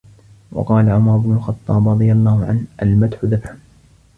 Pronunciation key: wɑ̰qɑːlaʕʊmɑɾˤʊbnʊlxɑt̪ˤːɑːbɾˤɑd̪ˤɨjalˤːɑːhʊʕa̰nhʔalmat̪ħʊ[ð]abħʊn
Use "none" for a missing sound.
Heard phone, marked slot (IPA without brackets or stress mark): ð